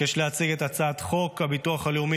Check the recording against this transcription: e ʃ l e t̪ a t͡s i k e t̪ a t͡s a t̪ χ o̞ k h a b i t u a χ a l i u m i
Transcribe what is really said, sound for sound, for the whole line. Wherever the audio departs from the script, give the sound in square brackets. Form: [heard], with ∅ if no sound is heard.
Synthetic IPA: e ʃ l e [∅] a t͡s i [ɡ] e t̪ a t͡s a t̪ χ o̞ k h a b i t u a χ a l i u m i